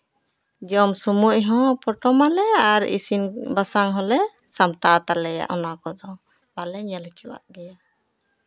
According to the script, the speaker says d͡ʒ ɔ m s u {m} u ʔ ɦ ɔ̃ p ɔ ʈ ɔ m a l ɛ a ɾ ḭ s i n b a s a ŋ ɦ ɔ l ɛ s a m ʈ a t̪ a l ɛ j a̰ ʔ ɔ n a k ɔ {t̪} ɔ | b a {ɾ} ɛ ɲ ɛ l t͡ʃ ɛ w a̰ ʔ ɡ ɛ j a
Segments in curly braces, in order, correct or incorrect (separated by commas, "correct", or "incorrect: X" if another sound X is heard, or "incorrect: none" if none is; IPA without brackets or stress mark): correct, incorrect: d̪, incorrect: l